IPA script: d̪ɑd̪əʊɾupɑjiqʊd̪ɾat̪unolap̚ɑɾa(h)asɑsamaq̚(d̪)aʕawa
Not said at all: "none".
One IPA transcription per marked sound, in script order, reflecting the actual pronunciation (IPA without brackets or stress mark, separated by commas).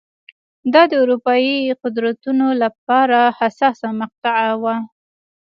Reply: h, t̪